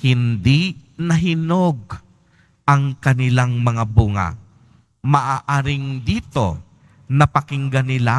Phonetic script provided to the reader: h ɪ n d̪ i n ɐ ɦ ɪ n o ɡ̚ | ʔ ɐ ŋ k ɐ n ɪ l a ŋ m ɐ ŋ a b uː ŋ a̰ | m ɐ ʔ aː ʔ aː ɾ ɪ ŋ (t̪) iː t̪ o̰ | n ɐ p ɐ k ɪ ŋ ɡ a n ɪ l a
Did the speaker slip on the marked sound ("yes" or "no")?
yes